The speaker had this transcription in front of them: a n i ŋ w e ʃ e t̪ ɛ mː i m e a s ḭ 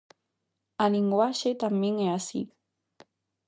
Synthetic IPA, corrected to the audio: a n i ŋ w a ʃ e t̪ a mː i ŋ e a s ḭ